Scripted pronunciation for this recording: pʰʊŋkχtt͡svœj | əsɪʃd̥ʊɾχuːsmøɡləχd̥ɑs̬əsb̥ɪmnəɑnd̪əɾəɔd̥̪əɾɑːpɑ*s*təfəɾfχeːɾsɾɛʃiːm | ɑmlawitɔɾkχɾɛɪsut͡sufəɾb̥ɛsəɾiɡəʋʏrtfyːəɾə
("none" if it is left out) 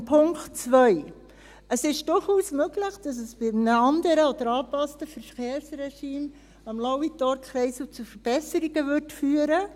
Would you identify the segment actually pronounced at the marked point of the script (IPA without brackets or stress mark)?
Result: s